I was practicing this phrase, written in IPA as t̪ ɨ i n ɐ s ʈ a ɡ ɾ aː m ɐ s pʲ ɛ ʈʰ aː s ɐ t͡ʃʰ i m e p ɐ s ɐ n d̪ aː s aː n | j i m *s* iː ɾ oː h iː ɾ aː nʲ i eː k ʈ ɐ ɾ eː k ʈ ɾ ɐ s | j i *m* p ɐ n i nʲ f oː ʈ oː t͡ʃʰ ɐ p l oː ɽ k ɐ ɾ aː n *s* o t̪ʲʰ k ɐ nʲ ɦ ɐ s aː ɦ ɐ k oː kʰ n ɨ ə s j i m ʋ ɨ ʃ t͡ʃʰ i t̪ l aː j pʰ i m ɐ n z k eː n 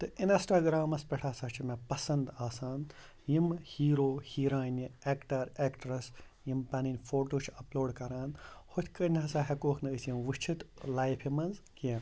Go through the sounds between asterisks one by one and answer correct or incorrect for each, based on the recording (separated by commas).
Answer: incorrect, correct, incorrect